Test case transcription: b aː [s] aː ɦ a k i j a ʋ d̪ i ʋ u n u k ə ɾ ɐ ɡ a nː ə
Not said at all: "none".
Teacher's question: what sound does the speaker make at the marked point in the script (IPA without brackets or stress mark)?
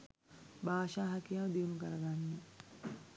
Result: ʃ